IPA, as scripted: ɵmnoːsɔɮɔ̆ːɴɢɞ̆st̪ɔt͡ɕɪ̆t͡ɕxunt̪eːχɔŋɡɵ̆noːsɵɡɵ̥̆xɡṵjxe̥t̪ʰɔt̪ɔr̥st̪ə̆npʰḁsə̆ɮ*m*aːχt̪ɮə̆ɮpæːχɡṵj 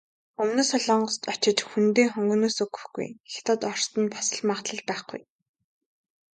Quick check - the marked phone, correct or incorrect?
correct